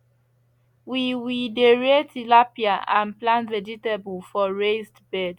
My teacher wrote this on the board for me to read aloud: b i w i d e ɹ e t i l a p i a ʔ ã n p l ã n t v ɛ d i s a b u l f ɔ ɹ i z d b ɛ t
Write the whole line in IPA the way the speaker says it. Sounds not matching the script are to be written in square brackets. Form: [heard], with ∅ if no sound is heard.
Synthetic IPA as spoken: [w] i w i d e ɹ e t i l a p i a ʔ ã n p l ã n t v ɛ [d͡ʒ] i [t] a b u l f ɔ ɹ [e] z d b ɛ [d]

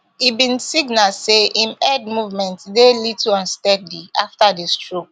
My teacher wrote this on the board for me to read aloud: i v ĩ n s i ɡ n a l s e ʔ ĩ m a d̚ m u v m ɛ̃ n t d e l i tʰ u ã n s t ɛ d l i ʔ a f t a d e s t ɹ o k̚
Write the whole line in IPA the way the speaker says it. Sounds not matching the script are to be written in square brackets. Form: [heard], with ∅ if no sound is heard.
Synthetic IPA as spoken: i [b] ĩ n s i ɡ n a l s e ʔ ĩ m [ɛ] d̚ m u v m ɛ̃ n t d e l i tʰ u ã n s t ɛ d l i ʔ a f t a d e s t ɹ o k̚

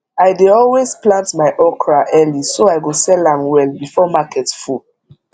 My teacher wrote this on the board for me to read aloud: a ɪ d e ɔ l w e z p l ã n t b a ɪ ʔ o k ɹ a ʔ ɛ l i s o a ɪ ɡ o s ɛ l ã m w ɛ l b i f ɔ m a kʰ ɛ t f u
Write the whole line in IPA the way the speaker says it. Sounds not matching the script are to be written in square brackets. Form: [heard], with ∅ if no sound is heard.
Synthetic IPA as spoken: a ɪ d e ɔ l w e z p l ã n t [m] a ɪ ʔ [ɔ] k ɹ a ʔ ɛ l i s o a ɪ ɡ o s ɛ l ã m w ɛ l b i f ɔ m a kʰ ɛ t f u

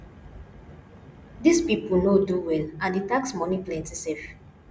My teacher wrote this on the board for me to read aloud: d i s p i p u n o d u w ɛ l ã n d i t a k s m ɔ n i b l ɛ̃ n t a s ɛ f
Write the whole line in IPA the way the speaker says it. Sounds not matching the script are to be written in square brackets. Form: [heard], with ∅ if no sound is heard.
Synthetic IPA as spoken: d i s p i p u n o d u w ɛ l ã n d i t a k s m ɔ n i [p] l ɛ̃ n t [i] s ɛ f

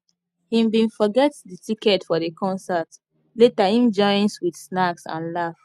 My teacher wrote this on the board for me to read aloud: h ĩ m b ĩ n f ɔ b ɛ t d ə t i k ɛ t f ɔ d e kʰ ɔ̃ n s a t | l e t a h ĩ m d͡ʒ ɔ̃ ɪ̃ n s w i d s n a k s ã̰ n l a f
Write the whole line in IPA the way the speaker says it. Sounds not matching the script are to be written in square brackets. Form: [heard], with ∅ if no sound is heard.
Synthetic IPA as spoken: h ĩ m b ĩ n f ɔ [ɡ] ɛ t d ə t i k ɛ t f ɔ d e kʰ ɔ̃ n s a t | l e t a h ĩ m d͡ʒ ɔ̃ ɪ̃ n s w i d s n a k s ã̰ n l a f

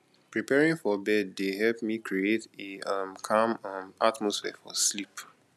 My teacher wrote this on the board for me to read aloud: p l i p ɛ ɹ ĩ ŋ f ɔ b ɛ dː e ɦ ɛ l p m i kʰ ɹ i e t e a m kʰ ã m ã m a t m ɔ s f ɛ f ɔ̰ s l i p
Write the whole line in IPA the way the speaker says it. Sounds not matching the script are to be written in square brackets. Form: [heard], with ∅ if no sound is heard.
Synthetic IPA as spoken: p [ɹ] i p ɛ ɹ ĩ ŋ f ɔ b ɛ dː e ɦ ɛ l p m i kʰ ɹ i e t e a m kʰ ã m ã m a t m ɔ s f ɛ f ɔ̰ s l i p

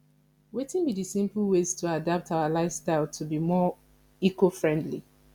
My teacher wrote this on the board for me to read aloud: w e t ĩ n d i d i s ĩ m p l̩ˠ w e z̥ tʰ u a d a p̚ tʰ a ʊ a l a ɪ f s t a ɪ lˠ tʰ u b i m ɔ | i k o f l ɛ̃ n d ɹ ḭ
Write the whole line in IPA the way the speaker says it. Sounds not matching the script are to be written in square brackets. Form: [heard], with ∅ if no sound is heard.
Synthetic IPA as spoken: w e t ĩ n [b] i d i s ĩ m p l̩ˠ w e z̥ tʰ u a d a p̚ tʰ a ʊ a l a ɪ f s t a ɪ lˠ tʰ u b i m ɔ | i k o f [ɹ] ɛ̃ n d [l] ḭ

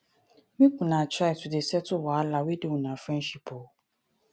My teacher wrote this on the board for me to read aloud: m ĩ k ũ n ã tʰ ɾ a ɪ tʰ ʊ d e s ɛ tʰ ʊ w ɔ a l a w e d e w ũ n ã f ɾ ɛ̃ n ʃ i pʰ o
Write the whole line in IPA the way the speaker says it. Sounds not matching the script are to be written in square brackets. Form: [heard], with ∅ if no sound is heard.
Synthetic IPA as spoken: m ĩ k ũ n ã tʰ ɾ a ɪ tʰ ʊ d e s ɛ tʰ ʊ w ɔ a l a w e d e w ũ n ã f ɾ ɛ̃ n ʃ i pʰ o

